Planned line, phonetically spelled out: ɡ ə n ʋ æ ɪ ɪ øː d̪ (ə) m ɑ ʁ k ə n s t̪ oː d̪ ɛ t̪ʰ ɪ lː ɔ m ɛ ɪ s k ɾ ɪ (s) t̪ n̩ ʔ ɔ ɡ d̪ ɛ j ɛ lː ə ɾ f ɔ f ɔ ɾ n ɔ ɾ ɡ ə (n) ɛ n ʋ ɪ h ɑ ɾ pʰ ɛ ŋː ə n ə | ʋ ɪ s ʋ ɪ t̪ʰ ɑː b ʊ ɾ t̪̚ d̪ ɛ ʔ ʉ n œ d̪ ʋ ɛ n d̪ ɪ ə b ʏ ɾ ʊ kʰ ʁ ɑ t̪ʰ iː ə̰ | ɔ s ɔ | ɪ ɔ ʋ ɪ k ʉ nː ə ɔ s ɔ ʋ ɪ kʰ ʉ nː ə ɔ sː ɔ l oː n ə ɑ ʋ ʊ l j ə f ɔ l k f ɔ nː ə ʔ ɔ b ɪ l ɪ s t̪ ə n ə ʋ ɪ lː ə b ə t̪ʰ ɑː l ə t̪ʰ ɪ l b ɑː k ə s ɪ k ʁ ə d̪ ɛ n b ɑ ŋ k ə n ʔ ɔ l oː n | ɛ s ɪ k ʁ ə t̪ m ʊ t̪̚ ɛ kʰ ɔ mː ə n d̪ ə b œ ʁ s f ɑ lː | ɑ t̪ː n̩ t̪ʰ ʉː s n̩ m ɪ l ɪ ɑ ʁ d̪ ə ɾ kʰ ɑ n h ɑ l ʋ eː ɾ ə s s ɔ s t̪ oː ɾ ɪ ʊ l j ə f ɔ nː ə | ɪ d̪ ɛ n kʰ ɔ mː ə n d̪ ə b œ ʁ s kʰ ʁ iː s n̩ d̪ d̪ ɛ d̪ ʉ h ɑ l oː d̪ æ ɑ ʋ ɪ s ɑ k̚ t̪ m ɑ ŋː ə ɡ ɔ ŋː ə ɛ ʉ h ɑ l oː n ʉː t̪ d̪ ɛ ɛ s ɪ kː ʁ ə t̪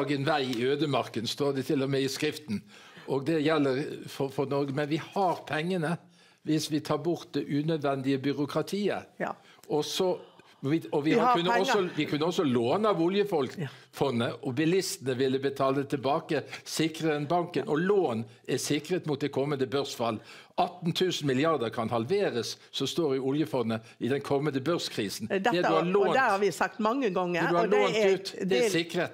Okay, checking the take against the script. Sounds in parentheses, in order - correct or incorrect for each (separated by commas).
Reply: correct, incorrect, incorrect